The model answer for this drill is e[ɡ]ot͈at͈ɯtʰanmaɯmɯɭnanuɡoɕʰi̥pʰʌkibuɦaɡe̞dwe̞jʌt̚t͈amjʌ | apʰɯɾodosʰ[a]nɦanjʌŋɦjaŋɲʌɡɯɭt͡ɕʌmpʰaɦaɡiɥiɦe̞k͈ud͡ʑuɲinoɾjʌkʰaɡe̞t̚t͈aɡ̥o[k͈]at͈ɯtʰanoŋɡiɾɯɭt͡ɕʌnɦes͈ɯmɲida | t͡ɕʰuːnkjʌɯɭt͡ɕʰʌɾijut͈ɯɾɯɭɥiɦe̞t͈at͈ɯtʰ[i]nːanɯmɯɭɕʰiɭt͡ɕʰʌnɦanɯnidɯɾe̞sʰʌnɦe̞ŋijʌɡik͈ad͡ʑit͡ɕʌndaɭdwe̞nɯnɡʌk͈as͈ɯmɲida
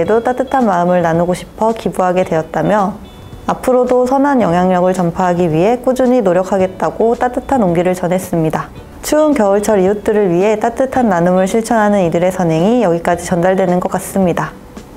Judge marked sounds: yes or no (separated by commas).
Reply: no, no, no, no